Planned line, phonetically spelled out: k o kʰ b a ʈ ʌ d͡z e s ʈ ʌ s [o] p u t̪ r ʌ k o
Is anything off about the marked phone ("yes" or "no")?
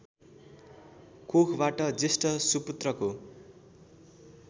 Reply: yes